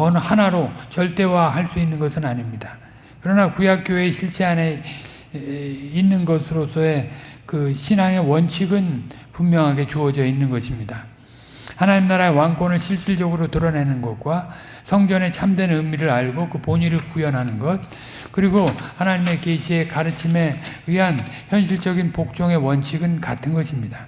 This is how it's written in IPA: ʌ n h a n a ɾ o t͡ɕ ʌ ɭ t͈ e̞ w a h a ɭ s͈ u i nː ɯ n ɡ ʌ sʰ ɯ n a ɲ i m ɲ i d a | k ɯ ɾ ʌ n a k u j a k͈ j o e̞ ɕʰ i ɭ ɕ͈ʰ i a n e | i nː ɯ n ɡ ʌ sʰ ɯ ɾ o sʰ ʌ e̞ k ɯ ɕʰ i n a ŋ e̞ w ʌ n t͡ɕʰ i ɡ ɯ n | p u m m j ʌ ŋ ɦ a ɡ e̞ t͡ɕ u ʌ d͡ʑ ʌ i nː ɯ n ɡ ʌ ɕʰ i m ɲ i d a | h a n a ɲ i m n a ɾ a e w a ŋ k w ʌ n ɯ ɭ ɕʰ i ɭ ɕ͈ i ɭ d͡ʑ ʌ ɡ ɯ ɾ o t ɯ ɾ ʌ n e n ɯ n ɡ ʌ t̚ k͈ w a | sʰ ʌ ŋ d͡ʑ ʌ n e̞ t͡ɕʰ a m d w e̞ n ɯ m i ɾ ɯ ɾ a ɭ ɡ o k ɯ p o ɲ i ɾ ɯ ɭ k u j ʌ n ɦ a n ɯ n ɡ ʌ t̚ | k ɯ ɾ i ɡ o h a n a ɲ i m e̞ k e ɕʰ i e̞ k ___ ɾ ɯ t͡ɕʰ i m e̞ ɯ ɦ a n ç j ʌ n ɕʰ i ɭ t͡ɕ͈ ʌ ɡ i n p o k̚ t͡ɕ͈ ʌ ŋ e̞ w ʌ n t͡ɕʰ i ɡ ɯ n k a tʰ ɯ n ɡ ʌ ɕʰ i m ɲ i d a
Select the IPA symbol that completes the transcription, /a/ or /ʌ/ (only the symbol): a